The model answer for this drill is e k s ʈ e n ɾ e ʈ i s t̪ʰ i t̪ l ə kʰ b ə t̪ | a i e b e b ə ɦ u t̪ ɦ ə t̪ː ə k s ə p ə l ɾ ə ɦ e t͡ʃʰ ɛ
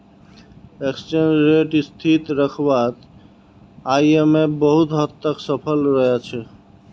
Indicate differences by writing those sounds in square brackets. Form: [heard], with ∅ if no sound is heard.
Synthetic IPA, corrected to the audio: e k s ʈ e n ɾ e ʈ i s t̪ʰ i t̪ [ɾ] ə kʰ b [a] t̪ | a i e [m] e b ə ɦ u t̪ ɦ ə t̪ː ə k s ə [pʰ] ə l ɾ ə ɦ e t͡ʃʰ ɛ